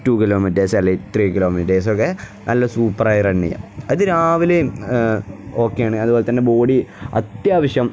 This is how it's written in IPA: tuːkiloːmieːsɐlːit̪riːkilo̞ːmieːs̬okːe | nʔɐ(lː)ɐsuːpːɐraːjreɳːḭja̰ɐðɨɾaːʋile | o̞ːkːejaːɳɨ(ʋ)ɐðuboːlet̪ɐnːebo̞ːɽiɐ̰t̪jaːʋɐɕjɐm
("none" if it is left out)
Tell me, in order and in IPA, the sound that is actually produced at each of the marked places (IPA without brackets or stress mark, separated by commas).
lː, none